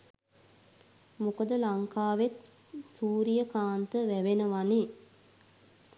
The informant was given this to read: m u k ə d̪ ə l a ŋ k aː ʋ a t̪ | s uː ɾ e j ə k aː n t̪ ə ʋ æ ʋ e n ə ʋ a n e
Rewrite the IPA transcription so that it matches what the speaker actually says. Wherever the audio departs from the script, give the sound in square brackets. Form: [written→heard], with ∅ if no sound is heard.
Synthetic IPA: m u k ə d̪ ə l a ŋ k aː ʋ [a→e] t̪ | s uː ɾ [e→i] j ə k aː n t̪ ə ʋ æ ʋ e n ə ʋ a n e